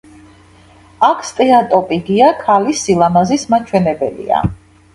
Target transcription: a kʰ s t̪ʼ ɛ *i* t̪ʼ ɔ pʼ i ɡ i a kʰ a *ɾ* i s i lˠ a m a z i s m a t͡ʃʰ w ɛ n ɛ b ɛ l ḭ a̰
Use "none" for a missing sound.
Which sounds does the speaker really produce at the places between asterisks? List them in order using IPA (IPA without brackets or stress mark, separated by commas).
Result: a, l